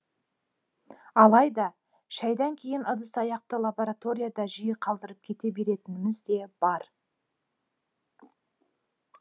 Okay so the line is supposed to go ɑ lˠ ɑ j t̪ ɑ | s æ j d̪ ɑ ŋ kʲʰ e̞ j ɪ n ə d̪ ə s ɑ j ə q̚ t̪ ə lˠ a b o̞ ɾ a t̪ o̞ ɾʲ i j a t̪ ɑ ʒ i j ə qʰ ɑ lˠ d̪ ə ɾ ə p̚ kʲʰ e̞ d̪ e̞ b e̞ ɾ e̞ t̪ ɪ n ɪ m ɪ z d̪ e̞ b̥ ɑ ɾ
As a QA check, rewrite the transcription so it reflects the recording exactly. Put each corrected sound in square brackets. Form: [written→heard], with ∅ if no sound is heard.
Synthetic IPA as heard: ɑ lˠ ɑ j [t̪→d̪] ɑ | [s→ʃ] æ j d̪ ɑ ŋ kʲʰ e̞ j ɪ n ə d̪ ə s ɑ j [ə→ɑ] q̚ t̪ ə lˠ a b o̞ ɾ a t̪ o̞ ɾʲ i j a [t̪→d̪] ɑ ʒ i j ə qʰ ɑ lˠ d̪ ə ɾ ə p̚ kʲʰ e̞ [d̪→t̪] e̞ b e̞ ɾ e̞ t̪ ɪ n ɪ m ɪ z d̪ e̞ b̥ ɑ ɾ